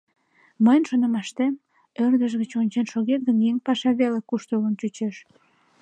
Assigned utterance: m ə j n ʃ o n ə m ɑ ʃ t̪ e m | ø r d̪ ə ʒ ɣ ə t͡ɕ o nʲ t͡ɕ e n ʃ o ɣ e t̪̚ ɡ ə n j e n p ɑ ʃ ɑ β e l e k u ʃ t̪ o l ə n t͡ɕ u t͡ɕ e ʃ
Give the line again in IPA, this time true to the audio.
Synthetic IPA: m ə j n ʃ o n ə m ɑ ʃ t̪ e m | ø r d̪ ə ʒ ɣ ə t͡ɕ o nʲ t͡ɕ e n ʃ o ɣ e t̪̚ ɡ ə n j e ŋ p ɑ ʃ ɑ β e l e k u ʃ t̪ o l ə n t͡ɕ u t͡ɕ e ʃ

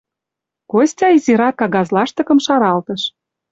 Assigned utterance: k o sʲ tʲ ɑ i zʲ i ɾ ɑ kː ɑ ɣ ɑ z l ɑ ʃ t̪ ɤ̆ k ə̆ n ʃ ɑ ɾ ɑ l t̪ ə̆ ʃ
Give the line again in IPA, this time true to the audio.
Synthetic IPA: k o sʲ tʲ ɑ i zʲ i ɾ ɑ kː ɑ ɣ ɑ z l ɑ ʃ t̪ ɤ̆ k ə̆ m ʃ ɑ ɾ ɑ l t̪ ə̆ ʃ

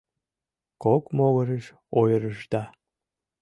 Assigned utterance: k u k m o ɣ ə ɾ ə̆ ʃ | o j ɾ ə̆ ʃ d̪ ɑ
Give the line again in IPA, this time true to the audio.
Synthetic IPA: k o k m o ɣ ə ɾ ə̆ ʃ | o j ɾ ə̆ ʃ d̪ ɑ

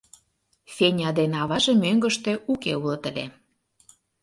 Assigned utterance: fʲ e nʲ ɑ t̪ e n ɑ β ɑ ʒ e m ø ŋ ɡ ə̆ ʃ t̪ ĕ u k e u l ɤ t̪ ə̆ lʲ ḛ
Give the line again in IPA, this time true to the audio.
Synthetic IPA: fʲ e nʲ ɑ d̪ e n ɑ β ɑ ʒ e m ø ŋ ɡ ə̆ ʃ t̪ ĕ u k e u l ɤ t̪ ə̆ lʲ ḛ

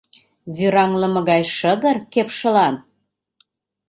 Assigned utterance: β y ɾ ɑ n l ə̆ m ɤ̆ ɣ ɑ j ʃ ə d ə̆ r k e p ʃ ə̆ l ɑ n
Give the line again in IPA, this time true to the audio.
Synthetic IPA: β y ɾ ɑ ŋ l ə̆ m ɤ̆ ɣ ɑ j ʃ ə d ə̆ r k e p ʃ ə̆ l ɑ n

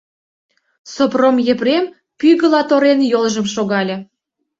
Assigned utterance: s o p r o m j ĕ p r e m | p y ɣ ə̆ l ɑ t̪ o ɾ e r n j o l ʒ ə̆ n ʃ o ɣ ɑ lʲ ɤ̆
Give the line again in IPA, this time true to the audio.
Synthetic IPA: s o p r o m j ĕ p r e m | p y ɣ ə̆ l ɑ t̪ o ɾ e n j o l ʒ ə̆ m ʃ o ɣ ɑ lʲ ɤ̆

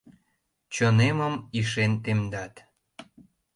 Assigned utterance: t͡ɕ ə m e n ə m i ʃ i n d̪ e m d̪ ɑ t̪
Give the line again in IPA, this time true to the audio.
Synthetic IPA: t͡ɕ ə n e m ə m i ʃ e n t̪ e m d̪ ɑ t̪

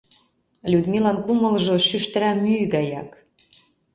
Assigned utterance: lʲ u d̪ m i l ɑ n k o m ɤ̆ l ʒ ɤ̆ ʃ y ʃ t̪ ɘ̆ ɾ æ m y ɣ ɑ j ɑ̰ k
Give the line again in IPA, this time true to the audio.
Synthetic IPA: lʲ u d̪ m i l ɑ n k u m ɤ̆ l ʒ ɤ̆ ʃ y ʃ t̪ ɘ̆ ɾ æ m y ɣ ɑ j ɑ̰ k

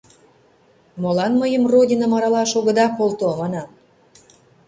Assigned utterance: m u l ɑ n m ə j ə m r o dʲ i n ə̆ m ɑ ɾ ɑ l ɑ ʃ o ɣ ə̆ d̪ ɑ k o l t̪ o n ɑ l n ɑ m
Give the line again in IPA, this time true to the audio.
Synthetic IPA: m o l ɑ n m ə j ə m r o dʲ i n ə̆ m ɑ ɾ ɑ l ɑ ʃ o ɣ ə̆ d̪ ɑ k o l t̪ o m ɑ n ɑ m

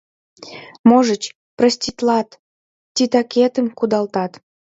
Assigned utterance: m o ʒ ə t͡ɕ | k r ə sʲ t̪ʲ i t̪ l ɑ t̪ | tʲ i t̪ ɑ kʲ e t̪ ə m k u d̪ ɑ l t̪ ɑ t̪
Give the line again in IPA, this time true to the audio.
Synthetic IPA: m o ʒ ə t͡ɕ | p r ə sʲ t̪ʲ i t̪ l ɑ t̪ | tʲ i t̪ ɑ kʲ e t̪ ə m k u d̪ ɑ l t̪ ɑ t̪

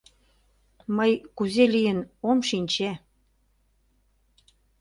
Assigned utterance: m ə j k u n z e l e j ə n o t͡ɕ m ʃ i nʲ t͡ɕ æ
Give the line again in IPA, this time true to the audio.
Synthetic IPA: m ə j k u z e l i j ə n o m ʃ i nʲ t͡ɕ e

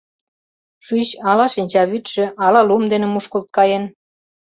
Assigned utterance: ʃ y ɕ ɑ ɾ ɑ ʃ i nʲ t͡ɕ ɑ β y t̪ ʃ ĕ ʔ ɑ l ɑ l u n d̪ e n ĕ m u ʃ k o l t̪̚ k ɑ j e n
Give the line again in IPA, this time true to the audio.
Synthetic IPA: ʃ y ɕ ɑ l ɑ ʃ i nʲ t͡ɕ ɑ β y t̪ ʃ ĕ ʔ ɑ l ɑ l u m d̪ e n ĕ m u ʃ k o l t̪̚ k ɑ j e n

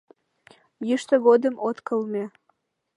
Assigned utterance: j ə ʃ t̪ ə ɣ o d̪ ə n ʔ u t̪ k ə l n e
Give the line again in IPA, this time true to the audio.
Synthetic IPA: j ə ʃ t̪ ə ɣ o d̪ ə m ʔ o t̪ k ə l m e

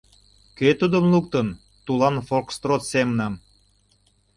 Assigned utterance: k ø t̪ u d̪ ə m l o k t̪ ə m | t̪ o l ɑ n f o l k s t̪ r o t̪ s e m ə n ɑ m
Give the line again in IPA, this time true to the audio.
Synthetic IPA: k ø t̪ u d̪ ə m l u k t̪ ə n | t̪ u l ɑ n f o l k s t̪ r o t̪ s e m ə n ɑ m

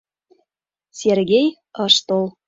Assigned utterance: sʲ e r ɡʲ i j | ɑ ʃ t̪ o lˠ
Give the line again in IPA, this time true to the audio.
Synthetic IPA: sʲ e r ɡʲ e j | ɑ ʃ t̪ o lˠ

